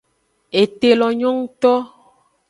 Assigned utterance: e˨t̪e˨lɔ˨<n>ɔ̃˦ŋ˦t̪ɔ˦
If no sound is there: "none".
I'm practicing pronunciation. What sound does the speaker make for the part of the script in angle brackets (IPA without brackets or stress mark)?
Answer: ɲ